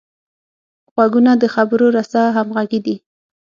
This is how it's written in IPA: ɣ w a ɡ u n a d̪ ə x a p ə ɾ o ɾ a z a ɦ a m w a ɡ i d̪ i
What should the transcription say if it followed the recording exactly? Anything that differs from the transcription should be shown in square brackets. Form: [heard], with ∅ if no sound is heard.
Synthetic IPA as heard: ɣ w a ɡ u n a d̪ ə x a [b] ə ɾ o ɾ a [s] a ɦ a m [ɣ] a ɡ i d̪ i

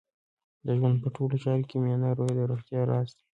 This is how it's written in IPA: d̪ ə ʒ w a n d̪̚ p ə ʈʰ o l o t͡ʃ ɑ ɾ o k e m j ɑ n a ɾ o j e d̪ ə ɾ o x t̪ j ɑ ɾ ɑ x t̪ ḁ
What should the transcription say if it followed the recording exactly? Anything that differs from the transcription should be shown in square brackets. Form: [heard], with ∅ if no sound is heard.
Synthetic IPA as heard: d̪ ə ʒ w a n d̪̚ p ə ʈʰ o l o t͡ʃ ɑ ɾ o k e m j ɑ n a ɾ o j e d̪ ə ɾ o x t̪ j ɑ ɾ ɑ [s] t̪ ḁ

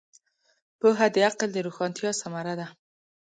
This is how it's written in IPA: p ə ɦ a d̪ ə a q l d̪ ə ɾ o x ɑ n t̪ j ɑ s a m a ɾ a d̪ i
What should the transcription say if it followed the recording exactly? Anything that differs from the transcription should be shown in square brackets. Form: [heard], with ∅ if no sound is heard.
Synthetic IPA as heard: p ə ɦ a d̪ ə a q l d̪ ə ɾ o x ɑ n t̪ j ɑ s a m a ɾ a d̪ [a]

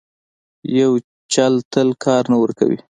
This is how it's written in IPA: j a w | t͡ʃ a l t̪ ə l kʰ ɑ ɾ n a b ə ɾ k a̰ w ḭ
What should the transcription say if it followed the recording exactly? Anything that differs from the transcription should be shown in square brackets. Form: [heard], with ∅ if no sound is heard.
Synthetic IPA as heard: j a w | t͡ʃ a l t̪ ə l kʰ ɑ ɾ n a [w] ə ɾ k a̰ w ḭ

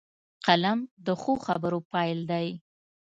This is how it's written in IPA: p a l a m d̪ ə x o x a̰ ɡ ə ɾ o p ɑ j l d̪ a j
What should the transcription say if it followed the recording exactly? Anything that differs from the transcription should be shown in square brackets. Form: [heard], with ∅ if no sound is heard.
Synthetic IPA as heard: [q] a l a m d̪ ə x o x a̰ [b] ə ɾ o p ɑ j l d̪ a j

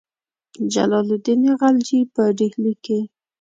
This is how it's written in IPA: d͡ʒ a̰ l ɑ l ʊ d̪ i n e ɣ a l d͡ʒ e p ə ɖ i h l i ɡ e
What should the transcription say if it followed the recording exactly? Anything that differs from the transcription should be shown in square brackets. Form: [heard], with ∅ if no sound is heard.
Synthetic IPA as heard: d͡ʒ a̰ l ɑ l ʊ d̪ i n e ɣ a l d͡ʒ [i] p ə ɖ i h l i [k] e

